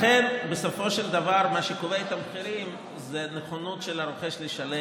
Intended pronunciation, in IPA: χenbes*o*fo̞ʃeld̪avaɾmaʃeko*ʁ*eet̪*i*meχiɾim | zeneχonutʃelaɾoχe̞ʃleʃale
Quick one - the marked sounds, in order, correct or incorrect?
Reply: correct, incorrect: v, incorrect: a

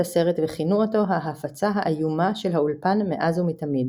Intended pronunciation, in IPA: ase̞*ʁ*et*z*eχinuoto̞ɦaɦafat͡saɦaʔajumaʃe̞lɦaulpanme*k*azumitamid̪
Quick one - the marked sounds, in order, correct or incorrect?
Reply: correct, incorrect: v, incorrect: ʔ

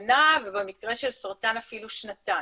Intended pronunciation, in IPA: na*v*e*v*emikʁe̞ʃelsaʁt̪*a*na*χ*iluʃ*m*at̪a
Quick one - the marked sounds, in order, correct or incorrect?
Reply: correct, incorrect: b, correct, incorrect: f, incorrect: n

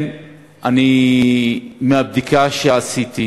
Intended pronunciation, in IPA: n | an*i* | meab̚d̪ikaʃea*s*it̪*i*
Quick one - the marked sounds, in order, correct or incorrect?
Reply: correct, correct, correct

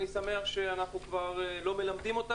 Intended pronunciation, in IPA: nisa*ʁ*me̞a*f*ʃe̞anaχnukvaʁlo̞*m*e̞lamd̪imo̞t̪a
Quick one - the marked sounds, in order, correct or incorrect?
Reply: incorrect: none, incorrect: χ, correct

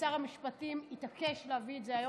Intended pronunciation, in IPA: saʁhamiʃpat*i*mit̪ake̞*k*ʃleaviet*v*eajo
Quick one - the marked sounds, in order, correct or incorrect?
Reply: correct, incorrect: none, incorrect: z

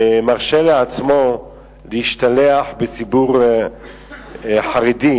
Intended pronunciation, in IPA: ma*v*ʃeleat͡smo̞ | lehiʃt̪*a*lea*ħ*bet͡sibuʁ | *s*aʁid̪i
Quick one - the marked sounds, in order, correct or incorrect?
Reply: incorrect: ʁ, correct, correct, incorrect: ħ

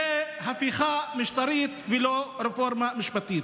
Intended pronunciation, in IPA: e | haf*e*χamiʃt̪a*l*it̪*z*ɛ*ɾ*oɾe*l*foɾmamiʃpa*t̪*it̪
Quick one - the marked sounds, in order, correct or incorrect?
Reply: incorrect: i, incorrect: ɾ, incorrect: v, incorrect: l, incorrect: none, correct

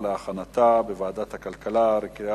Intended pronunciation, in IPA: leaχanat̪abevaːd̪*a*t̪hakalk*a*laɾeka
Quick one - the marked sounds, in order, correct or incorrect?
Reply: correct, correct

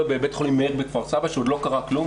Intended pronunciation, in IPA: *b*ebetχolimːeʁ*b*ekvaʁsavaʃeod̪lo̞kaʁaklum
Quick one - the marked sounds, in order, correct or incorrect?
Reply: correct, correct

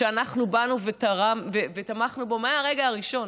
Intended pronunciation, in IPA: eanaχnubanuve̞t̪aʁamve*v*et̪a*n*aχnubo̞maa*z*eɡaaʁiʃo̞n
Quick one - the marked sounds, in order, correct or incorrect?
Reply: correct, incorrect: m, incorrect: ʁ

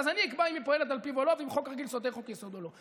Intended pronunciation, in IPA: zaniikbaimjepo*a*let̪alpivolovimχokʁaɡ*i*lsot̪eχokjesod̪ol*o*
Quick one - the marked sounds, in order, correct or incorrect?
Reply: incorrect: e, correct, correct

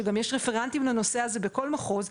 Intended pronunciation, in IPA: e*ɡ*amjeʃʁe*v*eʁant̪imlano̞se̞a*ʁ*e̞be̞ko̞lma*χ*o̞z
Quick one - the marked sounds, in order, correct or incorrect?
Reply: correct, incorrect: f, incorrect: z, correct

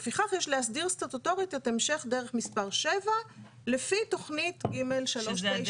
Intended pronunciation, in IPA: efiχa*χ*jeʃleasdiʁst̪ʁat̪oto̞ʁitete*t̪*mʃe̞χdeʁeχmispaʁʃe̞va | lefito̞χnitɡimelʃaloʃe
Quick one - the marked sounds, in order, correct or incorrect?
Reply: correct, incorrect: none

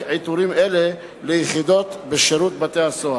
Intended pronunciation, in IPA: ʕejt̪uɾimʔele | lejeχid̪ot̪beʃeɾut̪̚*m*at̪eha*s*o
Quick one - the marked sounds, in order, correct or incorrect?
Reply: incorrect: b, correct

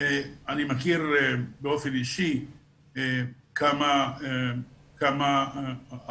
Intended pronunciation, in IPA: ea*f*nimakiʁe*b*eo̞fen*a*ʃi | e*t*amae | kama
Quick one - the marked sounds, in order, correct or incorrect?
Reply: incorrect: none, correct, incorrect: i, incorrect: k

